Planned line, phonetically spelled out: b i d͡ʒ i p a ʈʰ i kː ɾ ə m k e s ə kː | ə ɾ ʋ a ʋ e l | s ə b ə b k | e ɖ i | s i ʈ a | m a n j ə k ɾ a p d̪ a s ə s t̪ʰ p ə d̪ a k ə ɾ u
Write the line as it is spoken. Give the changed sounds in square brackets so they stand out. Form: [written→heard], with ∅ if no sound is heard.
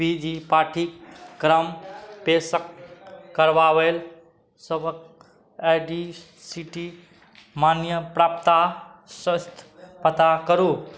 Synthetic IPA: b i d͡ʒ i p a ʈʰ i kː ɾ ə m [k→p] e s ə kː | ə ɾ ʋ a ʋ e l | s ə b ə [b→∅] k | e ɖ i | s i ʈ [a→i] | m a n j ə [k→p] ɾ a p [d̪→t̪] a s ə s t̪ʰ p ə [d̪→t̪] a k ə ɾ u

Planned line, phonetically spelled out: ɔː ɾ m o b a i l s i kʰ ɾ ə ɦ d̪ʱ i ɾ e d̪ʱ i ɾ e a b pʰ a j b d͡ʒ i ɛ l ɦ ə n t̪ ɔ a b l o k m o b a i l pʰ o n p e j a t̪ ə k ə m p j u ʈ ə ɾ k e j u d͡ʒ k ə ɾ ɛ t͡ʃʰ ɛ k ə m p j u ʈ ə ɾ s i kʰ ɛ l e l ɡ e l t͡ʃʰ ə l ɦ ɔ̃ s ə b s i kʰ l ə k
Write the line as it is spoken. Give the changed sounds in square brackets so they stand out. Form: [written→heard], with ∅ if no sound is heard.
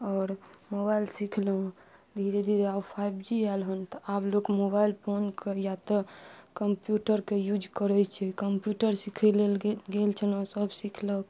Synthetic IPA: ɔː ɾ m o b a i l s i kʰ [ɾ→l] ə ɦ d̪ʱ i ɾ e d̪ʱ i ɾ e a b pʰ a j b d͡ʒ i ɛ l ɦ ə n t̪ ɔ a b l o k m o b a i l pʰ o n [p→k] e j a t̪ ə k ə m p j u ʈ ə ɾ k e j u d͡ʒ k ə ɾ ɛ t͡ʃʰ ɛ k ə m p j u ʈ ə ɾ s i kʰ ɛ l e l ɡ e l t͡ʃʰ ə l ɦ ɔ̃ s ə b s i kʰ l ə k

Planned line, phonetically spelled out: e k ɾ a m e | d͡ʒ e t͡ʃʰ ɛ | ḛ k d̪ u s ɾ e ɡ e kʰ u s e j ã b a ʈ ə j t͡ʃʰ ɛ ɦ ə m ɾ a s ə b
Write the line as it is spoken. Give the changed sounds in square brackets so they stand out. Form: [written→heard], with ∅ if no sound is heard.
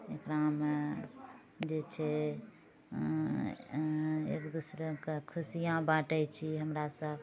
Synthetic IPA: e k ɾ a m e | d͡ʒ e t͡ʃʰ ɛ | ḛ k d̪ u s ɾ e [ɡ→k] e kʰ u s [e→i] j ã b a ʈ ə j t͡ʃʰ [ɛ→i] ɦ ə m ɾ a s ə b

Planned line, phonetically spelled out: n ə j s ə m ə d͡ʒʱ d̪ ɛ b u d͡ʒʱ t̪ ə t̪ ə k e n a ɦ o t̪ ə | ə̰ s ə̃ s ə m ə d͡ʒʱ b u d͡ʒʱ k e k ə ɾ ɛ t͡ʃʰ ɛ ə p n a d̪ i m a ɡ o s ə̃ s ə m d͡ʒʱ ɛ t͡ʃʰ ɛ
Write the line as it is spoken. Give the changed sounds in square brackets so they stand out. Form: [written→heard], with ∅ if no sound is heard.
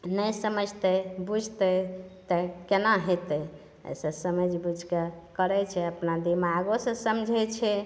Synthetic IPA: n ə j s ə m ə d͡ʒʱ [d̪→t̪] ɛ b u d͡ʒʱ t̪ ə t̪ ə k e n a ɦ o t̪ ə | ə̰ s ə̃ s ə m ə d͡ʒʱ b u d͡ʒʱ k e k ə ɾ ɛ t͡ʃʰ ɛ ə p n a d̪ i m a ɡ o s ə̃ s ə m d͡ʒʱ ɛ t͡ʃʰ ɛ

